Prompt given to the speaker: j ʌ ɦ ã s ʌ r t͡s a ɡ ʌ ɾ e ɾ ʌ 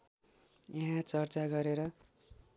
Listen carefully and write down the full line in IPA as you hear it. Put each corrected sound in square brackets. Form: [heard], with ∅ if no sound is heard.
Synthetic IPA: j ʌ ɦ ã [t͡s] ʌ r t͡s a ɡ ʌ ɾ e ɾ ʌ